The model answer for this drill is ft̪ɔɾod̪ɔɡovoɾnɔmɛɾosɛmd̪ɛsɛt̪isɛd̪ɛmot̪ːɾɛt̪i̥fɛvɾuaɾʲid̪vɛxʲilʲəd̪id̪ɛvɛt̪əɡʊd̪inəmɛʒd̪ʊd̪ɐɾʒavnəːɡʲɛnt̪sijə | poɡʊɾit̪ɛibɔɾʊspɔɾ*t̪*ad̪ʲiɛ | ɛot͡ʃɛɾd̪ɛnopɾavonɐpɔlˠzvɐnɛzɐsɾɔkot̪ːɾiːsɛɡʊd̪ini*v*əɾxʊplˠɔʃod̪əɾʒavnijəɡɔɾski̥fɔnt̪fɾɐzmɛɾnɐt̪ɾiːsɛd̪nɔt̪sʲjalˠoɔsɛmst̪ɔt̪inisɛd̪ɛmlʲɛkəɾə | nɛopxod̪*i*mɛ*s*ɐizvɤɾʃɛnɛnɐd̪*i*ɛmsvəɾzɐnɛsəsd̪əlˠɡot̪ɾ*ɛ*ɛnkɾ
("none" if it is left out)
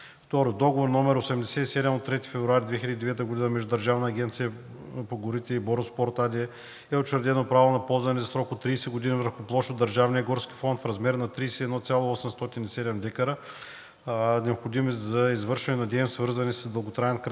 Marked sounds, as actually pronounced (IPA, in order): t̪, v, i, z, ɛ, a

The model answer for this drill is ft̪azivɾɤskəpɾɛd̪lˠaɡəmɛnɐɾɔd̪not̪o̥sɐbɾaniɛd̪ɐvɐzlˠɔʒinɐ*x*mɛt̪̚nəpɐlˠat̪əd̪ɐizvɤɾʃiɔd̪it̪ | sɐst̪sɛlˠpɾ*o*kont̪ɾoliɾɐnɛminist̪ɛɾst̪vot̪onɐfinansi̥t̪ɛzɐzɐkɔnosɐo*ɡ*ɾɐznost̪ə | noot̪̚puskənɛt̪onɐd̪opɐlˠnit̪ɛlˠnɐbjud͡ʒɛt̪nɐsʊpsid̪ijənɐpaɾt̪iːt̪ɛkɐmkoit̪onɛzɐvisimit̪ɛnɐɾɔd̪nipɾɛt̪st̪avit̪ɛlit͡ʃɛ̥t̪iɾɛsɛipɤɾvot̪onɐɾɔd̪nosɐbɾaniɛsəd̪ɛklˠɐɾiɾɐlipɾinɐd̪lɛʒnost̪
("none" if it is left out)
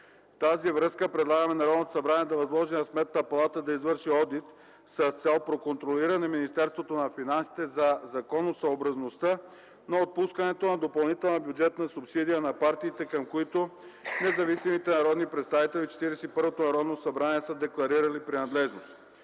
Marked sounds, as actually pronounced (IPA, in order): s, o, b

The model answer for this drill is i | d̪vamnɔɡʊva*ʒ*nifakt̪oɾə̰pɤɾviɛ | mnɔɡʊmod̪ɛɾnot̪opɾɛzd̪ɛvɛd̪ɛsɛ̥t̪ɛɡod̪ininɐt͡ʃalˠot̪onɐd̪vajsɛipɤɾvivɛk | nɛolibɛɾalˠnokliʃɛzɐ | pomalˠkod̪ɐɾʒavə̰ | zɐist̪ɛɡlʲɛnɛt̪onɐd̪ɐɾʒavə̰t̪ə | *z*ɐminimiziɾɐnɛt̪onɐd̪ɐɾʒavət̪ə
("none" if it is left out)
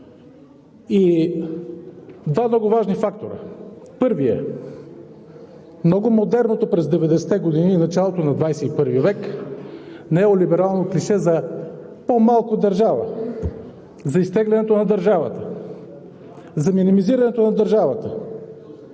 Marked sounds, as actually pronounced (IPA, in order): ʒ, z

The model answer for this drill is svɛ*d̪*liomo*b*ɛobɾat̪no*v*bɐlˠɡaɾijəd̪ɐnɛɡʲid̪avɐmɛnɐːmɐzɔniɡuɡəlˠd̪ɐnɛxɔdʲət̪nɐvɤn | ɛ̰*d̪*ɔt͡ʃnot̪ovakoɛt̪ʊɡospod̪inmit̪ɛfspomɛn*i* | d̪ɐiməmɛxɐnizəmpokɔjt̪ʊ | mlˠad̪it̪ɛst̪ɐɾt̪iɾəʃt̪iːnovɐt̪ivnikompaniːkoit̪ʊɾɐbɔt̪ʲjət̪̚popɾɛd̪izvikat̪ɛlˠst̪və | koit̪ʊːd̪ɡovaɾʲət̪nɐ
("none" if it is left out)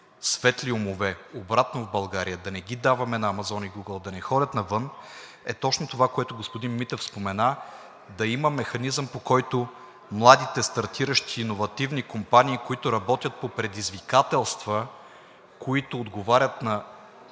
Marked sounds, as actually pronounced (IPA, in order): t̪, v, v, t̪, a

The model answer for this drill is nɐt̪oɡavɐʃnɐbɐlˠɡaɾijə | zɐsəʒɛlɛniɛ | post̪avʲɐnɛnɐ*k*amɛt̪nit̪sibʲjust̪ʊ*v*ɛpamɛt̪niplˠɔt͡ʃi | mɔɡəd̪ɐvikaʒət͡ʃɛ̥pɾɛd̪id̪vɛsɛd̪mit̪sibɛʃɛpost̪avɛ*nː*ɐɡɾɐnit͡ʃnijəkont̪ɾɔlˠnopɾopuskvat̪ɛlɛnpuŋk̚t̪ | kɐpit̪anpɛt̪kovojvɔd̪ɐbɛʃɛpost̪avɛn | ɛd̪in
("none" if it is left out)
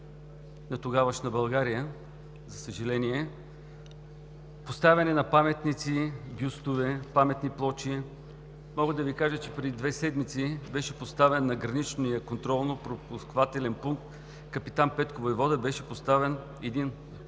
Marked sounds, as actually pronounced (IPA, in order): p, v, nː

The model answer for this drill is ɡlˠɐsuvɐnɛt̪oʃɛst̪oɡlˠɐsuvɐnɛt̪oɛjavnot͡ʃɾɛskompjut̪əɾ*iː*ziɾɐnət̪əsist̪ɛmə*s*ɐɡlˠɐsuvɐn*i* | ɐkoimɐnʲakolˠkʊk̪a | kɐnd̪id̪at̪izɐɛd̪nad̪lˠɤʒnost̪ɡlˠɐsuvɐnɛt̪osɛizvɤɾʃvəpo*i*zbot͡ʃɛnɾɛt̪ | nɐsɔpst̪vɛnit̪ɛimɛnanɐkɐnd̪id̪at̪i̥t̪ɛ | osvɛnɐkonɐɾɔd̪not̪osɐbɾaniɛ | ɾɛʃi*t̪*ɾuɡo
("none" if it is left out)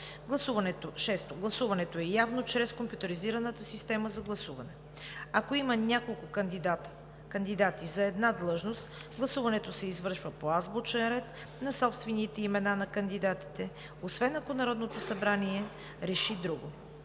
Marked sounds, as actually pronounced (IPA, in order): i, z, ɛ, a, d̪

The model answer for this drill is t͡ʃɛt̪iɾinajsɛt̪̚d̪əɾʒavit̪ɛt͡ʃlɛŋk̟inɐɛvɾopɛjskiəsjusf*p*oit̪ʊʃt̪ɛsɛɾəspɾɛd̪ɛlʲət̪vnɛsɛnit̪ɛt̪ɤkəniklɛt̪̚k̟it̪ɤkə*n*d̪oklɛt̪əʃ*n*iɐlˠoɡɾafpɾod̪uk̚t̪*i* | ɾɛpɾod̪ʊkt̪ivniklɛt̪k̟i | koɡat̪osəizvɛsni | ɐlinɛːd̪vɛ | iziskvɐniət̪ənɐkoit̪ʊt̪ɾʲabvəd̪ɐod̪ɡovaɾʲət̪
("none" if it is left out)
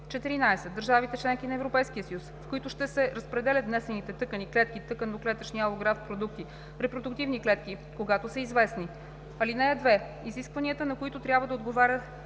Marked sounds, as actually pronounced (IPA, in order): k, n, n, i

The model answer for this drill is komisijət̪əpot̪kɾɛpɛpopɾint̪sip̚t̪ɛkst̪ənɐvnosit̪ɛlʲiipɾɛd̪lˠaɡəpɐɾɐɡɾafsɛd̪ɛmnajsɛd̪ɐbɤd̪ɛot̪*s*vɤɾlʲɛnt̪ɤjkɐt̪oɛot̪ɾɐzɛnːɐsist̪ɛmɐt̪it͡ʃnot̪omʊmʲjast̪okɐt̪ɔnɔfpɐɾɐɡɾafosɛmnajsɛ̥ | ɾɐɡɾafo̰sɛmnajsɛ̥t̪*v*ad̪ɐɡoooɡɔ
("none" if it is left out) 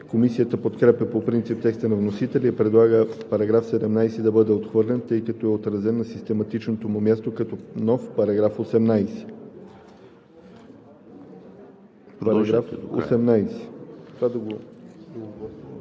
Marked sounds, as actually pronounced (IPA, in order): x, v

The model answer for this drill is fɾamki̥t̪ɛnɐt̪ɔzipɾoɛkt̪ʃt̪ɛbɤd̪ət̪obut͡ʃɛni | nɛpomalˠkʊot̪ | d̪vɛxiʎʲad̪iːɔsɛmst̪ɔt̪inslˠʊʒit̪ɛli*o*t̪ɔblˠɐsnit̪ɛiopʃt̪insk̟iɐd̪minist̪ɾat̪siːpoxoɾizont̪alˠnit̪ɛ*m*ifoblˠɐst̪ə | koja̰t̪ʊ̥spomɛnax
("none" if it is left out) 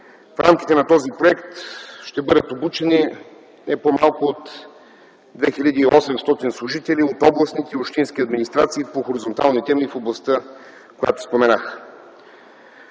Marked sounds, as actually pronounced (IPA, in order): o, m

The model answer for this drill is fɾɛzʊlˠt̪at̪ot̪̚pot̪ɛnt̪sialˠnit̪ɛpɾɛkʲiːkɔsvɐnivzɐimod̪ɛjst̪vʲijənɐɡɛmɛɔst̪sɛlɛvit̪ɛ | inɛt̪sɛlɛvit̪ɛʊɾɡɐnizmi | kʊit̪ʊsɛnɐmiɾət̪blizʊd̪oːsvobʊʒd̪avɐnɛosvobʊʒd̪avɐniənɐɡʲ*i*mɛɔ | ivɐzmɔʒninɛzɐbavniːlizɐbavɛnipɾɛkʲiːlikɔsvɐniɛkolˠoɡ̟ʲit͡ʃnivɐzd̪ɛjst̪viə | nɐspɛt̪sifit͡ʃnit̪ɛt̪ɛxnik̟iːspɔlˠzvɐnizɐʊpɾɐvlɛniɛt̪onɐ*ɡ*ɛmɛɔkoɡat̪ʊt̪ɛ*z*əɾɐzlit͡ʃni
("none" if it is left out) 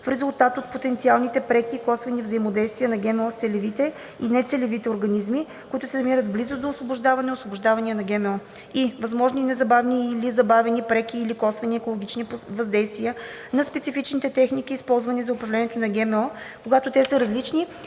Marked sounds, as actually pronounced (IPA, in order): ɛ, ɡ, s

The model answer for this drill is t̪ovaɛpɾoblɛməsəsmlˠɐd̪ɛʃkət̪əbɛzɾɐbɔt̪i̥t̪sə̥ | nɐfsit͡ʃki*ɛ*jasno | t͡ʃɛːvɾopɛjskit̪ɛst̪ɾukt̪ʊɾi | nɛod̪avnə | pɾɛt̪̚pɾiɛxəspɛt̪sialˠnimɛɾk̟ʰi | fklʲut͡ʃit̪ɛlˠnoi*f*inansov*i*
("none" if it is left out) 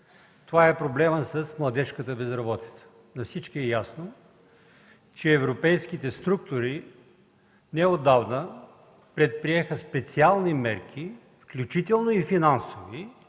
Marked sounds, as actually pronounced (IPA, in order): ɛ, f, i

